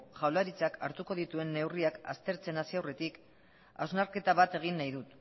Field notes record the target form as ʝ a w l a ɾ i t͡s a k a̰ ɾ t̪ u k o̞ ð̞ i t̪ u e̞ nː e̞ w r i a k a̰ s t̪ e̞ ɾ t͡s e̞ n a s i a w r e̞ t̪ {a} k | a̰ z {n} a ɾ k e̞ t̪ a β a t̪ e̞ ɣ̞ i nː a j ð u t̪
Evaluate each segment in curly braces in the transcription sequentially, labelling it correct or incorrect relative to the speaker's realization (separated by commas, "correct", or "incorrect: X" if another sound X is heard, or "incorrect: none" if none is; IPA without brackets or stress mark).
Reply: incorrect: i, correct